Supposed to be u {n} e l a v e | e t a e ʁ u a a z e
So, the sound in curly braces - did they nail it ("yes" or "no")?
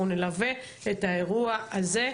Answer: yes